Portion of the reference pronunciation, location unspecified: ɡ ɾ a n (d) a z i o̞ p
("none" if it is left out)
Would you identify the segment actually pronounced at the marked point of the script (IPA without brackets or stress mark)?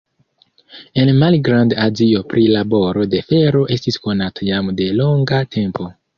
d